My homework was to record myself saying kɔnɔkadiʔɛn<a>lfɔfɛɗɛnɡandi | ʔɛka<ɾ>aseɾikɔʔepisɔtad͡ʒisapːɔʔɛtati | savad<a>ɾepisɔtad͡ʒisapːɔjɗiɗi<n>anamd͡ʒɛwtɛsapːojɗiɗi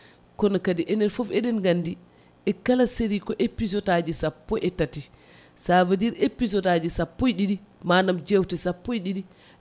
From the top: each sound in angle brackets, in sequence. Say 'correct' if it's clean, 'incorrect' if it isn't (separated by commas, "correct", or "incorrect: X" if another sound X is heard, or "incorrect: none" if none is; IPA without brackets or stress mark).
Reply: incorrect: ɛ, incorrect: l, incorrect: i, incorrect: m